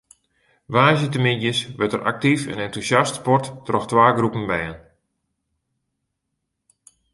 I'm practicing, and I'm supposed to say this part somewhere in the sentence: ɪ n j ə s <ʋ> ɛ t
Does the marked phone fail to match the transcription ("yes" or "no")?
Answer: no